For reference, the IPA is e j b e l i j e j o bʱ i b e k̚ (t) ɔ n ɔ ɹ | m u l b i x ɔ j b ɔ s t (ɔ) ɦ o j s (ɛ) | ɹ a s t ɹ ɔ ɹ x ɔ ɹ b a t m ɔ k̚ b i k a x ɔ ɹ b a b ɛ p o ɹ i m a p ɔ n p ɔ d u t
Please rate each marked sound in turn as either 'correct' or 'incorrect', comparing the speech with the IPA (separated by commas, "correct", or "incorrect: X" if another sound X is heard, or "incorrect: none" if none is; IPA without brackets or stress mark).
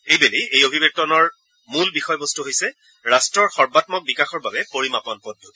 correct, incorrect: u, correct